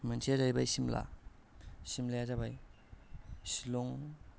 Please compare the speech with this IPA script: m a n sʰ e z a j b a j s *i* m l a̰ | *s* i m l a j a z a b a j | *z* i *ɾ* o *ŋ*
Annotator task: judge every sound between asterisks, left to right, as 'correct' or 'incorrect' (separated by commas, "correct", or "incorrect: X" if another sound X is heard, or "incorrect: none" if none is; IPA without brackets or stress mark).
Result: correct, correct, incorrect: s, incorrect: l, correct